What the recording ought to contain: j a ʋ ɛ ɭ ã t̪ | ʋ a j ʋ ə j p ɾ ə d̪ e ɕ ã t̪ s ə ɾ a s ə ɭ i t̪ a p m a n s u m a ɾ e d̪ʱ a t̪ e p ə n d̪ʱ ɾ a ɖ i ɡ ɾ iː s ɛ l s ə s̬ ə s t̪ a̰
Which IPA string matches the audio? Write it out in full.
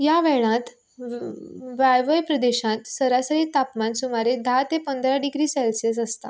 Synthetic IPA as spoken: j a ʋ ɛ ɭ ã t̪ | ʋ a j ʋ ə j p ɾ ə d̪ e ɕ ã t̪ s ə ɾ a s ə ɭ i t̪ a p m a n s u m a ɾ e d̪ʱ a t̪ e p ə n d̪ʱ ɾ a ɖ i ɡ ɾ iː s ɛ l s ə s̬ ə s t̪ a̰